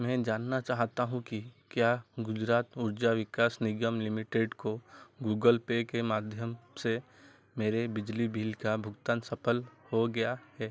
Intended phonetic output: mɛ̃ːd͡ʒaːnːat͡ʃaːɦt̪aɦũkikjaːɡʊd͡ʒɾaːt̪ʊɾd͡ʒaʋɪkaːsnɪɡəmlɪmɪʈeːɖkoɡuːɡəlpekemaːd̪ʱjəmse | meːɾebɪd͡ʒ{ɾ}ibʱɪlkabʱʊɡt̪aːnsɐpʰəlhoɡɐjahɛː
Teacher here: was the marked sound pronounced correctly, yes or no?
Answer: no